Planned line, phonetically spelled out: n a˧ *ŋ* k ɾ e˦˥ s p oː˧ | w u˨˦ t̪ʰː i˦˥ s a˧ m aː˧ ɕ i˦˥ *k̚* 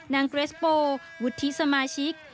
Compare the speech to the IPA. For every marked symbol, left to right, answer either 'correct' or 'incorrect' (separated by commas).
correct, correct